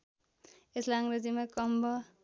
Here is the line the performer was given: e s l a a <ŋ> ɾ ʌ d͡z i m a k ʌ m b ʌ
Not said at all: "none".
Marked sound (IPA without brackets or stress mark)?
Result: ŋ